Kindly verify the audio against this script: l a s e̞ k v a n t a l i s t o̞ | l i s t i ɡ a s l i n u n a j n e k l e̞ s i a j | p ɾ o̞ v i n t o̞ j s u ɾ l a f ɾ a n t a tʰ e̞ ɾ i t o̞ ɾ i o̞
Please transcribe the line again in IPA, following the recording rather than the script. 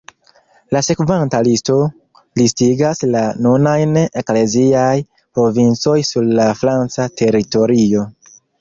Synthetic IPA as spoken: l a s e̞ k v a n t a l i s t o̞ | l i s t i ɡ a s l a n u n a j n e k l e̞ z i a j | p ɾ o̞ v i n t͡s o̞ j s u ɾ l a f ɾ a n t͡s a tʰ e̞ ɾ i t o̞ ɾ i o̞